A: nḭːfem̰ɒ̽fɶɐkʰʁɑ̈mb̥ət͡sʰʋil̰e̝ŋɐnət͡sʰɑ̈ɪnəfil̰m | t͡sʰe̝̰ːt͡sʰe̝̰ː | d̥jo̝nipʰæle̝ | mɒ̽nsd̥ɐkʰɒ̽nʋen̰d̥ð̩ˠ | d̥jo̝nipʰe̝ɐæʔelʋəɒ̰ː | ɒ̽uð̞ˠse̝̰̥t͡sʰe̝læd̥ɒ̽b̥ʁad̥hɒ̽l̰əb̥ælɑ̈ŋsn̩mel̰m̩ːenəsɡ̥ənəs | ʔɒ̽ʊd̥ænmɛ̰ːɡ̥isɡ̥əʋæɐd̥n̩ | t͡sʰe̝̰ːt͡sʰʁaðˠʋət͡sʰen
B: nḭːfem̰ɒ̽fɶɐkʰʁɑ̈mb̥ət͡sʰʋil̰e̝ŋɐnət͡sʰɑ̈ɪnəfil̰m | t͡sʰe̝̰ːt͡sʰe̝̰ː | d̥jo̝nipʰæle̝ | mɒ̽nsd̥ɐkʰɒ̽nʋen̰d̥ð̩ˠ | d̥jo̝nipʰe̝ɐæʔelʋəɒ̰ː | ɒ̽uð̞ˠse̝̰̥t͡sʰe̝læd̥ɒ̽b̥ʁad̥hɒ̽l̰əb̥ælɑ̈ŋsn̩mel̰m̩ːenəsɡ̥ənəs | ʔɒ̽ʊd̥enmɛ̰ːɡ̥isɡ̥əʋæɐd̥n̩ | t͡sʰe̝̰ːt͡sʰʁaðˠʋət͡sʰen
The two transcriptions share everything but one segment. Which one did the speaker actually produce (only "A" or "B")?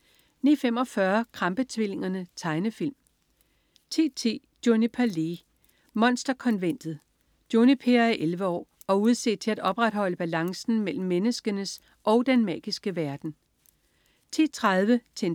B